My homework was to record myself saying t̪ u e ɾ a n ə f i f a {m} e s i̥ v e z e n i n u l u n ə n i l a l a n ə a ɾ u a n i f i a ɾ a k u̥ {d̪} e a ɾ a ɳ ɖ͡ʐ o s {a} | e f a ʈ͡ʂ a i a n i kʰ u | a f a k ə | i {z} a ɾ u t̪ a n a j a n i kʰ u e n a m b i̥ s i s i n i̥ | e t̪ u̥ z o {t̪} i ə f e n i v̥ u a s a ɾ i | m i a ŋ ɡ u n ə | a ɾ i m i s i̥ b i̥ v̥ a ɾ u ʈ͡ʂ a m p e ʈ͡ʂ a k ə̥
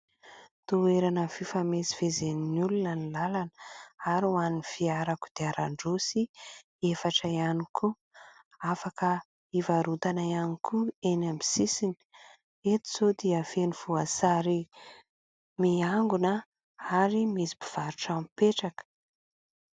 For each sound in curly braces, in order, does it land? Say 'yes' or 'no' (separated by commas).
yes, yes, no, no, no